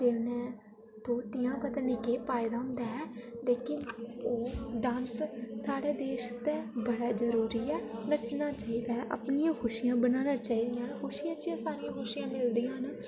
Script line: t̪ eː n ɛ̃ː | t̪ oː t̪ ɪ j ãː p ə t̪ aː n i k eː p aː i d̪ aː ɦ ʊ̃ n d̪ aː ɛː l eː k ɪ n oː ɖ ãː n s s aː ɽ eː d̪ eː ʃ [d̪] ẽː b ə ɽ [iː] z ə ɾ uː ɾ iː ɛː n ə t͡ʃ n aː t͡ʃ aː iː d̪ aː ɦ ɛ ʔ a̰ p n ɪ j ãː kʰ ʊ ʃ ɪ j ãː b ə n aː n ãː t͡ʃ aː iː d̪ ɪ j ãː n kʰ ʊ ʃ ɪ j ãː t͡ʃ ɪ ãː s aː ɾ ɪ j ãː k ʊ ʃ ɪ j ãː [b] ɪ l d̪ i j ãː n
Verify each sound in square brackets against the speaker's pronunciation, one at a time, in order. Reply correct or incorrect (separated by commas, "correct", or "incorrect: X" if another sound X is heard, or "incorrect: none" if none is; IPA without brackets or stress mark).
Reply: incorrect: t̪, incorrect: aː, incorrect: m